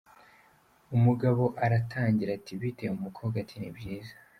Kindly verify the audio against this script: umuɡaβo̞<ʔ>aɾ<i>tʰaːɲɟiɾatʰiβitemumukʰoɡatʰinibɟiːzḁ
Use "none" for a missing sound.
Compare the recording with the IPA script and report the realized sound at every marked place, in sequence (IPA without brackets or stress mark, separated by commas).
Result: ʔ, a